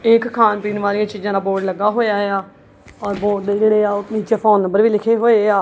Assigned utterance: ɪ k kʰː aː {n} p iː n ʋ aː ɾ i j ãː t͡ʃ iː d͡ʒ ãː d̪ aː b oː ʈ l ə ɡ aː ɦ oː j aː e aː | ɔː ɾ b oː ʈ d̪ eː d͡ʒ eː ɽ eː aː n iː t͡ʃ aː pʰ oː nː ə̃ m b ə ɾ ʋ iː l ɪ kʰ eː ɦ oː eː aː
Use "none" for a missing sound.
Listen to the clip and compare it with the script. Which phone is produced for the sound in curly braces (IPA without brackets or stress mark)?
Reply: n